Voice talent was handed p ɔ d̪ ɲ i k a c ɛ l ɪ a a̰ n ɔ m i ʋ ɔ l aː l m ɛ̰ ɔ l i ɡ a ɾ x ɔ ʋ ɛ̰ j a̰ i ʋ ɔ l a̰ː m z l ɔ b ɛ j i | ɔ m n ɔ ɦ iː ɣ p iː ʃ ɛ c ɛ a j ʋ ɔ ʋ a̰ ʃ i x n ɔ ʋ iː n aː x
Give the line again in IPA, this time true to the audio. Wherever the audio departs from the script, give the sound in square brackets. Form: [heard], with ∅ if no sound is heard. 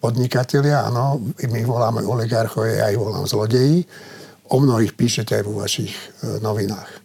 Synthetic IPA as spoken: p ɔ d̪ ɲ i k a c ɛ l ɪ a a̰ n ɔ m i ʋ ɔ l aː [∅] m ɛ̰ ɔ l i ɡ a ɾ x ɔ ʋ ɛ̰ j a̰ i ʋ ɔ l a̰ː m z l ɔ [ɟ] ɛ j i | ɔ m n ɔ ɦ iː [x] p iː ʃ ɛ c ɛ a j ʋ ɔ ʋ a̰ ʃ i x n ɔ ʋ [i] n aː x